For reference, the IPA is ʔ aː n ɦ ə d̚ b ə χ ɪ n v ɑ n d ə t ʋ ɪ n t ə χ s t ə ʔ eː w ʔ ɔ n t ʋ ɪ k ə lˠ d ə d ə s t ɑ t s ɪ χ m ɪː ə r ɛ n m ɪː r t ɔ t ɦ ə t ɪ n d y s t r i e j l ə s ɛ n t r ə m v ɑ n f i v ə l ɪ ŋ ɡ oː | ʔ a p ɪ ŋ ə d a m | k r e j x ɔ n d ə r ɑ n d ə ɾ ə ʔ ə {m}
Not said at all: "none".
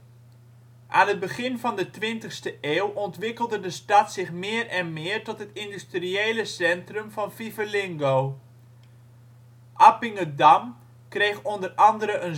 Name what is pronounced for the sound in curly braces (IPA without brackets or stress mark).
n